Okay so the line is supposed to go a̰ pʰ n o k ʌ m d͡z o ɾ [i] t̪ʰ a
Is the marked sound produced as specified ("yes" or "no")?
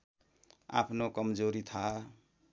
yes